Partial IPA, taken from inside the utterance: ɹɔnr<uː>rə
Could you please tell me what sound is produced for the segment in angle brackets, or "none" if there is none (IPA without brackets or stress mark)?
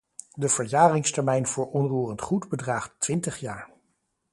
uː